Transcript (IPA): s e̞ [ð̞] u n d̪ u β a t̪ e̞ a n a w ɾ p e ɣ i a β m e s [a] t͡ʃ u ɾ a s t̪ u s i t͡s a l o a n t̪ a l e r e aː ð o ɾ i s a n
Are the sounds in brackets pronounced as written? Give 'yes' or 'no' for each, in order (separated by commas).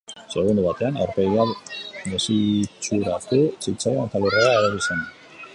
no, no